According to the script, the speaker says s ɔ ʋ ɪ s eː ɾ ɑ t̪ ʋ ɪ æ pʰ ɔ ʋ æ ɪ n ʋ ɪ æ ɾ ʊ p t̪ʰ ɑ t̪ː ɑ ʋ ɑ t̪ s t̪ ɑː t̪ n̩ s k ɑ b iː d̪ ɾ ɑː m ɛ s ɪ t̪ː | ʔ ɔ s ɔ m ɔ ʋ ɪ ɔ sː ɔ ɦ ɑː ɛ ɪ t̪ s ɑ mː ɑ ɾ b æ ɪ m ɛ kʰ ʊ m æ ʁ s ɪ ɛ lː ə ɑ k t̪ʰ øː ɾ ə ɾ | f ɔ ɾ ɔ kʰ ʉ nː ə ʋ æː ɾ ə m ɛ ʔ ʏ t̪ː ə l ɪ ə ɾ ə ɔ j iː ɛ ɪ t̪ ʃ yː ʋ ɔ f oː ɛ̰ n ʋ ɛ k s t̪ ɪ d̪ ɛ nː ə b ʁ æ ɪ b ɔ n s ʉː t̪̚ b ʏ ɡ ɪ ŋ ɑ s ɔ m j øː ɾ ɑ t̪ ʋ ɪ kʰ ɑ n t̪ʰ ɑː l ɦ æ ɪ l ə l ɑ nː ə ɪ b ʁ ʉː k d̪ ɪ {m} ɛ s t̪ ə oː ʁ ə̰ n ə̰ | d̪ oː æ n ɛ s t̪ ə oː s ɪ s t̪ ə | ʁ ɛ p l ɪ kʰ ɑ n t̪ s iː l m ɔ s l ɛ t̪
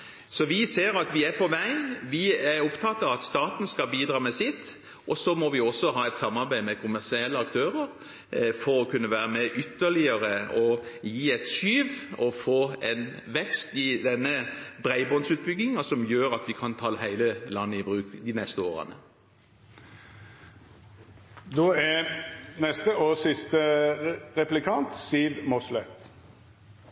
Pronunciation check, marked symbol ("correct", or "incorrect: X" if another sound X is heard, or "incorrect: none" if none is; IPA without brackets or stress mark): incorrect: n